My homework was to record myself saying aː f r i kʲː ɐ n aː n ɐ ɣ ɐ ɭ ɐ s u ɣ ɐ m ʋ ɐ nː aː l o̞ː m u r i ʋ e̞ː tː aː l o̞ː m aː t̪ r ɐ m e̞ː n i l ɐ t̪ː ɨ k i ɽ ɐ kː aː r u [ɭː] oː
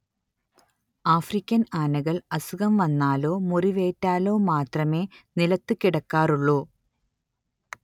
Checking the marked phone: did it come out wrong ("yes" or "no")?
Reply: no